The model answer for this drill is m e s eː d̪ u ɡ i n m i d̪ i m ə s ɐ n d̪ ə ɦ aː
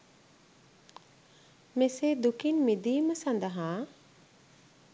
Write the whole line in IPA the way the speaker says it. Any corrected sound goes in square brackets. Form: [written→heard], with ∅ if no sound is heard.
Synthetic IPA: m e s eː d̪ u [ɡ→k] i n m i d̪ [i→iː] m ə s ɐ n d̪ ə ɦ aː